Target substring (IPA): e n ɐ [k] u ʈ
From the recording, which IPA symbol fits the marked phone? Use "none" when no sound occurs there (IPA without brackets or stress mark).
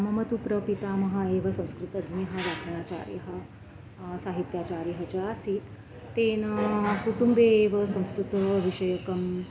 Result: k